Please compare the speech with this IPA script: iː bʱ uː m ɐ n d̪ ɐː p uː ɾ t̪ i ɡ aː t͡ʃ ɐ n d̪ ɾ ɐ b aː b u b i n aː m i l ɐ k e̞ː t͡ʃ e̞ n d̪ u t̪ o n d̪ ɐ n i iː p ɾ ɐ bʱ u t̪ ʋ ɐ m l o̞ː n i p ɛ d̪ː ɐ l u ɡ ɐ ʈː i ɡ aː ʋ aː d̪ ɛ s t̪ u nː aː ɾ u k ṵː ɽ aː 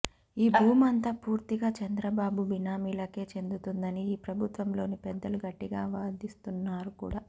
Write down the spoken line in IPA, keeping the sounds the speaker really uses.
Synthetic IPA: iː bʱ uː m ɐ n t̪ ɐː p uː ɾ t̪ i ɡ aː t͡ʃ ɐ n d̪ ɾ ɐ b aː b u b i n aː m i l ɐ k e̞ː t͡ʃ e̞ n d̪ u t̪ u n d̪ ɐ n i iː p ɾ ɐ bʱ u t̪ ʋ ɐ m l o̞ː n i p ɛ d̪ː ɐ l u ɡ ɐ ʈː i ɡ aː ʋ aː d̪ i s t̪ u nː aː ɾ u k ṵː ɽ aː